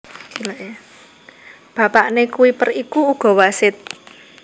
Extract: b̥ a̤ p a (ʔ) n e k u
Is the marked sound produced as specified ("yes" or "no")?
yes